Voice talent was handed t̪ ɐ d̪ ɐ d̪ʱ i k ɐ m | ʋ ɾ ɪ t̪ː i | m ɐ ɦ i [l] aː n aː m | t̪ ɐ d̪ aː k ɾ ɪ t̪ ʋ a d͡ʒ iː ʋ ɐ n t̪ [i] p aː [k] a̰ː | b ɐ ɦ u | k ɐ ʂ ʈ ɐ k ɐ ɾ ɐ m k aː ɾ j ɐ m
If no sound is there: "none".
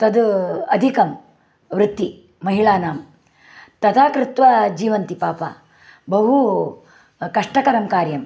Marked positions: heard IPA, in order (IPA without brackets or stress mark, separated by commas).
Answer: ɭ, i, p